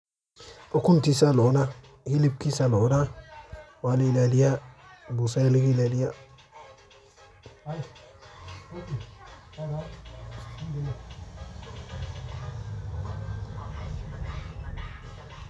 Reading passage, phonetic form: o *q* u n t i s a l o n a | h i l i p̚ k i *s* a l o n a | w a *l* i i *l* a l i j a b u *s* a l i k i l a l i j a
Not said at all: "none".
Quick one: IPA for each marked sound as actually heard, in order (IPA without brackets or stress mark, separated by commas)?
k, s, l, l, s